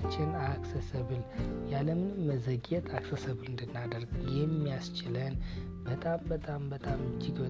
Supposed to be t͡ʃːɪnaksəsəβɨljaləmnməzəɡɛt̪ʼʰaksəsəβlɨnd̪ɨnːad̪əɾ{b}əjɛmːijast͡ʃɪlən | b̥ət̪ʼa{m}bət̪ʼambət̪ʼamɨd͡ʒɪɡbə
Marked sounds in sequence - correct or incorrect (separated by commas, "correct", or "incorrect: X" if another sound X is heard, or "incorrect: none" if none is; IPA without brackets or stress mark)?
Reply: incorrect: ɡ, correct